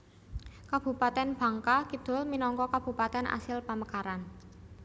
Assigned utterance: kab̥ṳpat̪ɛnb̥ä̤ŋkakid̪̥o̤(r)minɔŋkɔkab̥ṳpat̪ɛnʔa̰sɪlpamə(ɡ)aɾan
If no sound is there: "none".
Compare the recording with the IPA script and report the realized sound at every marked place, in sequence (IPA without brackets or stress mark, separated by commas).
l, k